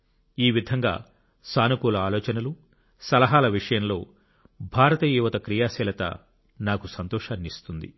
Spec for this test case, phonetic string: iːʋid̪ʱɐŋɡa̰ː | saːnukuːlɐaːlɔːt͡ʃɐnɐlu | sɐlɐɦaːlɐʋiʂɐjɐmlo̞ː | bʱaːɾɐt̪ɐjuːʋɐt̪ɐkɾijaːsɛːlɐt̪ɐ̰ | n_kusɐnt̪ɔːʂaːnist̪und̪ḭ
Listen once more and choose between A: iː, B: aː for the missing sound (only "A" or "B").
B